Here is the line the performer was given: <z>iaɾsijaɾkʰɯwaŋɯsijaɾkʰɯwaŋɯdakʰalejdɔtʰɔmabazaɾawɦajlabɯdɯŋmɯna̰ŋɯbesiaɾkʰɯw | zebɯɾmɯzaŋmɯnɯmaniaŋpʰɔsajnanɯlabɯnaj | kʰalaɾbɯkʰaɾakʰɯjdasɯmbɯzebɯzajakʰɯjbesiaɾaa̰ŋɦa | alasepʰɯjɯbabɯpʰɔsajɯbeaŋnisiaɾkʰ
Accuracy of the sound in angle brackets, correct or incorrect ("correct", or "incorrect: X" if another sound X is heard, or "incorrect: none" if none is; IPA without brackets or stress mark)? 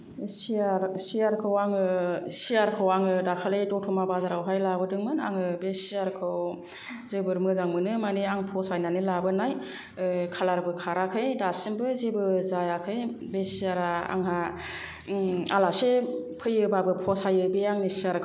incorrect: s